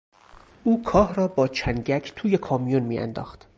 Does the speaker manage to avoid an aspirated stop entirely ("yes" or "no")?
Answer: no